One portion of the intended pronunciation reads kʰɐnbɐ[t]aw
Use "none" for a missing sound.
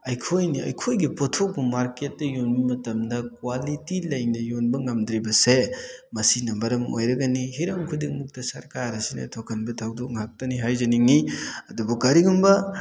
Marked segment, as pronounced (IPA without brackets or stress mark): tʰ